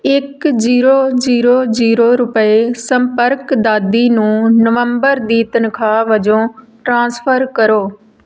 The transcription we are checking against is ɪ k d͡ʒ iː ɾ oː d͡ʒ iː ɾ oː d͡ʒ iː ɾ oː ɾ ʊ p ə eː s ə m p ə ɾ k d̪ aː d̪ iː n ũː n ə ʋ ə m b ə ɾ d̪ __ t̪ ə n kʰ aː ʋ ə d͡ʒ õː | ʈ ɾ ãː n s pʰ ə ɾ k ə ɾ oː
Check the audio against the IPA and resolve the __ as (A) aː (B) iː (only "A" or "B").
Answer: B